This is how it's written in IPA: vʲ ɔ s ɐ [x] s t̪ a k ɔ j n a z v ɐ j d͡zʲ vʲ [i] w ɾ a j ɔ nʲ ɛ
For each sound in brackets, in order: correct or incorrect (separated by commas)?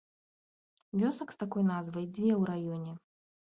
incorrect, incorrect